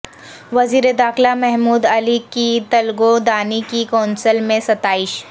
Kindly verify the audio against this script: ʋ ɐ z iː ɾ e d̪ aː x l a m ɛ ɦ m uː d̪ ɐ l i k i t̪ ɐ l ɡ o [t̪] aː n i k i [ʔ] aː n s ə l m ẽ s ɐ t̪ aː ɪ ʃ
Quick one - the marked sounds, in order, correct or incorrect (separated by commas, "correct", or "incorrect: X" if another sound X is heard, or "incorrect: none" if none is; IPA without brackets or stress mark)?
incorrect: d̪, incorrect: k